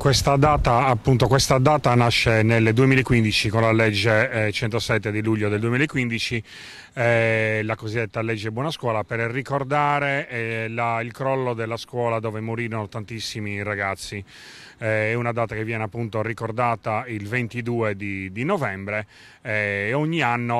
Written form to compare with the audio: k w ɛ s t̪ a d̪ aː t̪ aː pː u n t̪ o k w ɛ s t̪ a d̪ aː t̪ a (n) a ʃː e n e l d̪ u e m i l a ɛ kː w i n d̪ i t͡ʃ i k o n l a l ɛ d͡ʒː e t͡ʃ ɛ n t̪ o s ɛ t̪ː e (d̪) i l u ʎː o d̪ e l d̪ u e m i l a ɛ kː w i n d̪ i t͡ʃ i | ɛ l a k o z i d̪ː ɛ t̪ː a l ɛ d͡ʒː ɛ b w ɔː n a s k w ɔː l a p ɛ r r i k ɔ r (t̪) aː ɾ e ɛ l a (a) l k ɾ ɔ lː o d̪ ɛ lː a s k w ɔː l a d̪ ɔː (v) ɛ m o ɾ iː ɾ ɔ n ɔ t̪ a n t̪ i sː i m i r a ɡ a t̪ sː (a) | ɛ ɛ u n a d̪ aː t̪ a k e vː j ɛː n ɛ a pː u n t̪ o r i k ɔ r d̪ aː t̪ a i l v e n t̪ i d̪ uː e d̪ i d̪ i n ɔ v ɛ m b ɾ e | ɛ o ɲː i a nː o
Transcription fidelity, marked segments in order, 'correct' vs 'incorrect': correct, correct, incorrect: d̪, incorrect: i, correct, incorrect: i

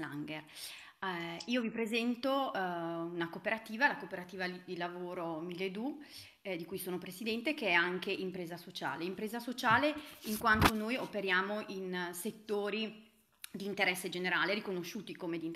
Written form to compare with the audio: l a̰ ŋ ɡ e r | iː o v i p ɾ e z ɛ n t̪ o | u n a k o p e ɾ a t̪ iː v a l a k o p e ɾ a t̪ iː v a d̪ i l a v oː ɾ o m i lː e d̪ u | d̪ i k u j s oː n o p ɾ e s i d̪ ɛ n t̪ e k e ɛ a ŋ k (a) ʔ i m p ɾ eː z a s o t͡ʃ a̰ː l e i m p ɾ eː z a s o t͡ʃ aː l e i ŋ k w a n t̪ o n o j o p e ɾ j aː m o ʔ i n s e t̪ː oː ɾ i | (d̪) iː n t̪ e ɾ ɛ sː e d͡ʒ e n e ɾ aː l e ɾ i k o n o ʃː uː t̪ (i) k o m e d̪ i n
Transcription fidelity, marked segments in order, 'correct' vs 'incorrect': incorrect: e, correct, correct

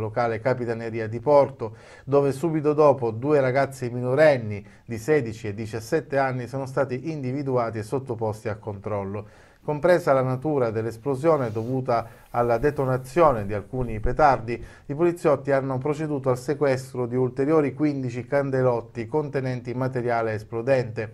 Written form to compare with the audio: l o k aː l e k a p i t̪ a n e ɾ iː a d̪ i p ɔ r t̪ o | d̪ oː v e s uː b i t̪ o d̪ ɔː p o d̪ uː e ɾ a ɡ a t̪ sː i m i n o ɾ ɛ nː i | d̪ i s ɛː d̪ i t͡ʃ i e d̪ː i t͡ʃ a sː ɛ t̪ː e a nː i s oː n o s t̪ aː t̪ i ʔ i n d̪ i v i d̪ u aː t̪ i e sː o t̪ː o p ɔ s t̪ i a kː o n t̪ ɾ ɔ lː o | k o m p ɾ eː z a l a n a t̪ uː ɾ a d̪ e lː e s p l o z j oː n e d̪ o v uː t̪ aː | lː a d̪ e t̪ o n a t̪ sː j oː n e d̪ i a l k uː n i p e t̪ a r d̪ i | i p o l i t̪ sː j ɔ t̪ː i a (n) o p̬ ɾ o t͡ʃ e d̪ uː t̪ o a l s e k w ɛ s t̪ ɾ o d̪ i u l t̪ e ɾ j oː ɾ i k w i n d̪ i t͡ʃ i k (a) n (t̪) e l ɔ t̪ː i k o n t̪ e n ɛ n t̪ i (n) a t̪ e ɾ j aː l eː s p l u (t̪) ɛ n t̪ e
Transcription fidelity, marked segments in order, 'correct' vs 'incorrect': incorrect: nː, correct, incorrect: d̪, incorrect: m, incorrect: d̪

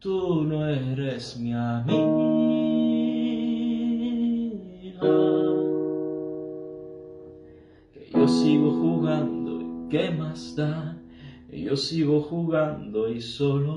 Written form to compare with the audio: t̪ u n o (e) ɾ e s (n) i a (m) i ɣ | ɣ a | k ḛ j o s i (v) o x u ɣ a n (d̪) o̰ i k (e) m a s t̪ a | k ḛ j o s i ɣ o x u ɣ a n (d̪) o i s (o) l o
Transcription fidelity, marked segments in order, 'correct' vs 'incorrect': correct, incorrect: m, correct, incorrect: ɣ, correct, correct, correct, correct

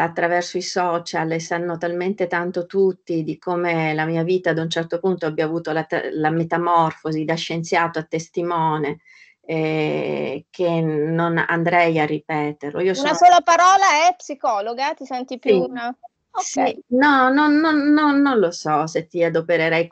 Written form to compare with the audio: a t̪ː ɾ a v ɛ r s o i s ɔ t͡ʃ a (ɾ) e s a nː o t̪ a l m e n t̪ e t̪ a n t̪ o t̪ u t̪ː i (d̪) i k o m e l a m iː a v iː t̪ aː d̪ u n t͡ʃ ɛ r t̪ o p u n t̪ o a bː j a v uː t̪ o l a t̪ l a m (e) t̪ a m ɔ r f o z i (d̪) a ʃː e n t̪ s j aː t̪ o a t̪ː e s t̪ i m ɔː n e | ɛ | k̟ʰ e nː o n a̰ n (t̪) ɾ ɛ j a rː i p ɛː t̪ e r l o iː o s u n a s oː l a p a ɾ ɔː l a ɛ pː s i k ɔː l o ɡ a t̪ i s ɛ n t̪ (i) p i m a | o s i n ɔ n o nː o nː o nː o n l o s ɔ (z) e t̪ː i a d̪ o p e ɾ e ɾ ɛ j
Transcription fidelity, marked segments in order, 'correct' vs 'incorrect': incorrect: l, correct, correct, correct, incorrect: d̪, correct, incorrect: s

